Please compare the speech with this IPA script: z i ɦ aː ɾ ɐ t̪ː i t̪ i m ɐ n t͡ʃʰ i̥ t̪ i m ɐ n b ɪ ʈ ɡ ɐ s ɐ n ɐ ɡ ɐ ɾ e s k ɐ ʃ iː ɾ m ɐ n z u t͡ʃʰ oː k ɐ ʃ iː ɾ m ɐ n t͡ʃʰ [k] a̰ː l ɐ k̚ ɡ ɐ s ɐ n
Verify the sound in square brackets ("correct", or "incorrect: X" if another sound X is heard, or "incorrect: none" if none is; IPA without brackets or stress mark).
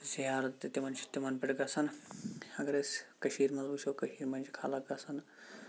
incorrect: kʰ